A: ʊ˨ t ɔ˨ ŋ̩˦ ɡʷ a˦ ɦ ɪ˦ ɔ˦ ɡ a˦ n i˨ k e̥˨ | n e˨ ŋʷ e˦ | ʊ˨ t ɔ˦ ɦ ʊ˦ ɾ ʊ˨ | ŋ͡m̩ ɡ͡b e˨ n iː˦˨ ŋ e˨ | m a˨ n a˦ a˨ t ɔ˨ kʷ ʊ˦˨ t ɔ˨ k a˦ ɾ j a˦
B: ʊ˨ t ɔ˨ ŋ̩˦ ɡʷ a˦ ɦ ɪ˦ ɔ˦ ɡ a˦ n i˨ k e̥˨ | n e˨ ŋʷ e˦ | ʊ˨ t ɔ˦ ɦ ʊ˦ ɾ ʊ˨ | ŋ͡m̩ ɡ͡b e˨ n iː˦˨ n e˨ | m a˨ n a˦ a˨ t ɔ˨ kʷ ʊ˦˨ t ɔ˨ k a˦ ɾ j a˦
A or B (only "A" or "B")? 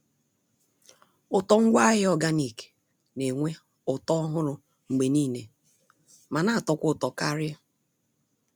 B